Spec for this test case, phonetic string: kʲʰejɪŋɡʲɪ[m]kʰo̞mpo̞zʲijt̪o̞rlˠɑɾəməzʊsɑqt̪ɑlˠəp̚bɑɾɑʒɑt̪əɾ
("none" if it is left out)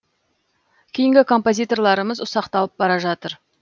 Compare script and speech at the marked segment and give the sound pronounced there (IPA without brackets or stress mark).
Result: none